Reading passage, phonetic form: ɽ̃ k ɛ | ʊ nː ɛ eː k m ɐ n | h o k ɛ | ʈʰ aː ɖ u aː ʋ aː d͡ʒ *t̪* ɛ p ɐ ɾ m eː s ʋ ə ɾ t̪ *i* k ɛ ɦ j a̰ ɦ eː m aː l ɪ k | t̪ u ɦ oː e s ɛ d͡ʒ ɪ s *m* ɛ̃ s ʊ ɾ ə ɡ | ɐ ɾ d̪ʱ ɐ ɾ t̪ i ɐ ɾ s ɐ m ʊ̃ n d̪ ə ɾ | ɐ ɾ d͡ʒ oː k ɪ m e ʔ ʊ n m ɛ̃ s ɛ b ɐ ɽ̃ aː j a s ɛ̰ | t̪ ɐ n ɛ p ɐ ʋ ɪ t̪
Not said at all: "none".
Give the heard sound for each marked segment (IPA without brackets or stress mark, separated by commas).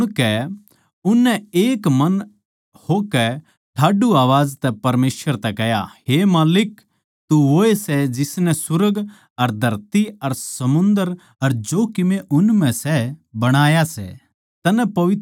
t̪, ɛ, n